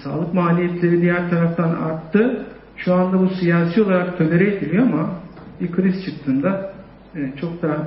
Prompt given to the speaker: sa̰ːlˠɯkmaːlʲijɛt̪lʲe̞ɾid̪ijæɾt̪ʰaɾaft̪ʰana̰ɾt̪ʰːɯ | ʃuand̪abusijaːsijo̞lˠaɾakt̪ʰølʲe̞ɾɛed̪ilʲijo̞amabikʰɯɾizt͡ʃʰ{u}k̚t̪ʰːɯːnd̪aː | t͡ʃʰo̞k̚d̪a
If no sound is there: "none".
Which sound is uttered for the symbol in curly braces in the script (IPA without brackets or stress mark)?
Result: ɯ